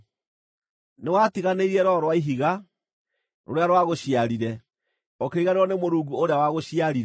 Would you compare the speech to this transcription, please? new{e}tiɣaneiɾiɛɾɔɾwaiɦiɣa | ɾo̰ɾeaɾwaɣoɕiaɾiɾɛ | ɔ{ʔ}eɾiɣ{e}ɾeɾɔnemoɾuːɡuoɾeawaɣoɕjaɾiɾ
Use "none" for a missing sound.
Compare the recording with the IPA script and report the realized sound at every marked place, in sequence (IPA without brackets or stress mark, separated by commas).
a, k, a